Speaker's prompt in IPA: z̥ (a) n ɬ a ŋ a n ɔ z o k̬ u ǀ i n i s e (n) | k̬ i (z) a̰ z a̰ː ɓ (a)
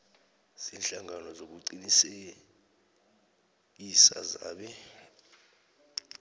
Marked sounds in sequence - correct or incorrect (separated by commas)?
incorrect, incorrect, incorrect, incorrect